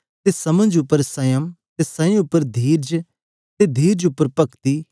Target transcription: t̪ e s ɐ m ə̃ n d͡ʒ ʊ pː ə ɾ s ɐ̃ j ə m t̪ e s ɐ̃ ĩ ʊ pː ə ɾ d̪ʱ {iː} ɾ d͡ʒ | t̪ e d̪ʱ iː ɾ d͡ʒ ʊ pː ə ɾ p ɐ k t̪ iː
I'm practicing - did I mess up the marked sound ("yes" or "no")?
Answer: no